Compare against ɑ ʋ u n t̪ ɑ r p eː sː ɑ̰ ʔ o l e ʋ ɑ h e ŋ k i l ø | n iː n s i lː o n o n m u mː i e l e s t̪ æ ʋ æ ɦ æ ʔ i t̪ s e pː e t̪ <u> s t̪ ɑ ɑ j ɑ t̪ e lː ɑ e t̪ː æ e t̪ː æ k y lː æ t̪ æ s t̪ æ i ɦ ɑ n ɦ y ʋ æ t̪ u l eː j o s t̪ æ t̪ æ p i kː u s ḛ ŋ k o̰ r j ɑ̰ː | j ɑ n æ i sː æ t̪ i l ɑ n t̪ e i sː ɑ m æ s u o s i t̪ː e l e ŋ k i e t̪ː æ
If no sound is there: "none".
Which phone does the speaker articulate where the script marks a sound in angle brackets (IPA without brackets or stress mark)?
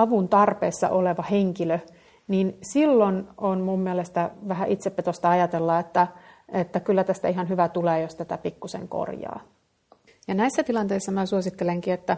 o